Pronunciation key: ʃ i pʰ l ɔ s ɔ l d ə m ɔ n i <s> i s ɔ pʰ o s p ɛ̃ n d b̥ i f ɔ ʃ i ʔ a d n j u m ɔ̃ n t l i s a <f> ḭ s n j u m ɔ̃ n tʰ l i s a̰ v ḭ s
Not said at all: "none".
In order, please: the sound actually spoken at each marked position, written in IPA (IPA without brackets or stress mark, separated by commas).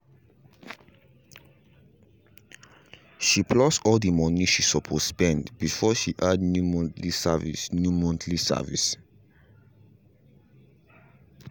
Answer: ʃ, v